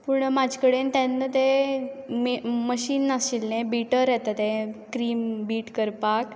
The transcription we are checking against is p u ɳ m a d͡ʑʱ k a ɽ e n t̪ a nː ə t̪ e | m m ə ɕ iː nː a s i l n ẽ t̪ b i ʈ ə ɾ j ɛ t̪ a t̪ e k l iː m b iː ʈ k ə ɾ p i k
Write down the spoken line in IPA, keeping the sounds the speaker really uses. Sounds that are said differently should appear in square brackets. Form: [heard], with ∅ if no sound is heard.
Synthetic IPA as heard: p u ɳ m a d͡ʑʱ k [ə] ɽ e n t̪ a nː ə t̪ e | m m ə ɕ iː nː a s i l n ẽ [∅] b i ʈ ə ɾ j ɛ t̪ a t̪ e k [ɾ] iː m b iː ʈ k ə ɾ p [a] k